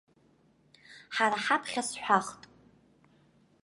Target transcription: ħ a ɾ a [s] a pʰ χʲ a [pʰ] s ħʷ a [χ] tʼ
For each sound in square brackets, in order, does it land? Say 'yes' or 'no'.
no, no, yes

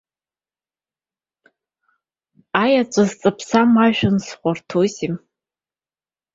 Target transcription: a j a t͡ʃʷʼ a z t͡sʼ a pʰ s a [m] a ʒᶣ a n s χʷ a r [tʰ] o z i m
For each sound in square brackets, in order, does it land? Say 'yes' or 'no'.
yes, yes

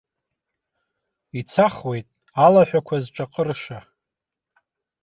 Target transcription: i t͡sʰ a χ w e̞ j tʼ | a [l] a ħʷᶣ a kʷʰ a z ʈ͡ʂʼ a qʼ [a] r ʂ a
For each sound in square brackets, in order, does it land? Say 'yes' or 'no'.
yes, no

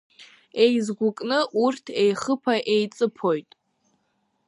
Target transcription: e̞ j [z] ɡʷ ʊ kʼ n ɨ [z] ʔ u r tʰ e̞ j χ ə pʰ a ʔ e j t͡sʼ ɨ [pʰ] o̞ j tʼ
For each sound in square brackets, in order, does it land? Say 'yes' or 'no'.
yes, no, yes

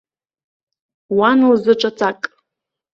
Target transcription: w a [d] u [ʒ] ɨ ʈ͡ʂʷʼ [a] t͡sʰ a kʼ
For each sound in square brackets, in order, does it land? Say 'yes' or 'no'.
no, no, yes

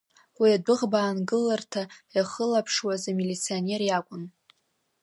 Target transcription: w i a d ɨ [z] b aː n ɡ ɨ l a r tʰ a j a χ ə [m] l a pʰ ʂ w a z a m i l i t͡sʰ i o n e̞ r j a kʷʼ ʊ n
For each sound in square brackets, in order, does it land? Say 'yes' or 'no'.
no, no

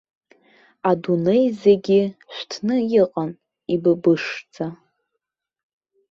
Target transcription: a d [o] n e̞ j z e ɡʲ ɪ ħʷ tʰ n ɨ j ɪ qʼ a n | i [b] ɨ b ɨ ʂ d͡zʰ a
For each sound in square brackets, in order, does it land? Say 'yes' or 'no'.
no, yes

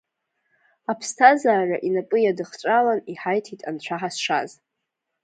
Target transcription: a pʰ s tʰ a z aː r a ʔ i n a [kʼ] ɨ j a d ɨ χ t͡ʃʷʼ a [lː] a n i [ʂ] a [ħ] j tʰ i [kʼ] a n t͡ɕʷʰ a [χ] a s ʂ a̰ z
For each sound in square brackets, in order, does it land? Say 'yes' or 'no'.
no, no, no, no, no, no

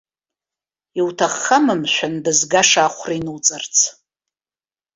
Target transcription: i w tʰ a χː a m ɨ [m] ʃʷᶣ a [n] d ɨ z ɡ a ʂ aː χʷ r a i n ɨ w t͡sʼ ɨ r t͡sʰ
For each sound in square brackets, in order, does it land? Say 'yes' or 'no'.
yes, yes

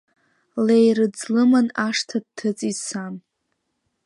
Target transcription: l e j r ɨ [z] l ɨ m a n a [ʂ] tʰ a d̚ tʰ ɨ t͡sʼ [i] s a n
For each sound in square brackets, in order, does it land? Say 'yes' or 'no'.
no, yes, yes

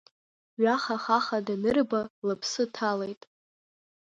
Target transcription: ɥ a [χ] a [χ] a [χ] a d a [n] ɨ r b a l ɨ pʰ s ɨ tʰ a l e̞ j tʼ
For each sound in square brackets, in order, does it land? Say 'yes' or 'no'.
yes, yes, yes, yes

